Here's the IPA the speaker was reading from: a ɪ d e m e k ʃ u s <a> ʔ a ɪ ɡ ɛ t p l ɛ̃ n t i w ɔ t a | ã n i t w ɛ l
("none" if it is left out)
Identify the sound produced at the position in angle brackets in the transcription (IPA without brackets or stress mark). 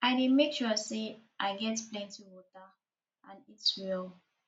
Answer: e